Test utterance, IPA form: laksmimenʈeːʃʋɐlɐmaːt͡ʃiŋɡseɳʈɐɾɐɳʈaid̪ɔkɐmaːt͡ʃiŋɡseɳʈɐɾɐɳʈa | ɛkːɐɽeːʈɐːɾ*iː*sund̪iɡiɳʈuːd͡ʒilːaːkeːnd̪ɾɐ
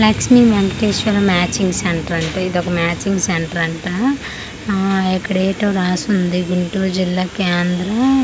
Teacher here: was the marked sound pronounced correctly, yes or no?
no